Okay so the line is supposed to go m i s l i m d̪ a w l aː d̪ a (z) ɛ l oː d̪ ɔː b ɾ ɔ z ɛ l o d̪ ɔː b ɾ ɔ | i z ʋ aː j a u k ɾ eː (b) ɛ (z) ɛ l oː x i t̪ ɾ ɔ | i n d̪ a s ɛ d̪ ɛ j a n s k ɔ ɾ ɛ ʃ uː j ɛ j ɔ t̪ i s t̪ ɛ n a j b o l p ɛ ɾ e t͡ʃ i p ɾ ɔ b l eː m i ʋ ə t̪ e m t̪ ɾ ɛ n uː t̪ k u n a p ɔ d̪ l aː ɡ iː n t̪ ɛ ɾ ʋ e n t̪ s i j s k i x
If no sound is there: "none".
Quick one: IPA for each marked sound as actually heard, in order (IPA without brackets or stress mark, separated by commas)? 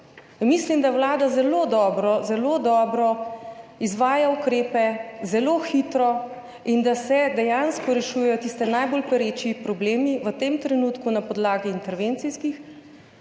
z, p, z